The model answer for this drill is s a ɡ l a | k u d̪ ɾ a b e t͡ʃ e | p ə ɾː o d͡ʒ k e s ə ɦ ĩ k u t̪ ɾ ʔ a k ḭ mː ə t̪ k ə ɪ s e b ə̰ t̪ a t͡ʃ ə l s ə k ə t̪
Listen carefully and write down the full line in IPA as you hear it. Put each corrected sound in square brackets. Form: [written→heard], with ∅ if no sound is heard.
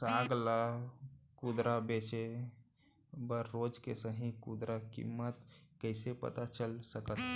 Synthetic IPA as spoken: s a ɡ l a | k u d̪ ɾ a b e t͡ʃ e | [p→b] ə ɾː o d͡ʒ k e s ə ɦ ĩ k u [t̪→d̪] ɾ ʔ a k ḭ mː ə t̪ k ə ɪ s e [b→p] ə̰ t̪ a t͡ʃ ə l s ə k ə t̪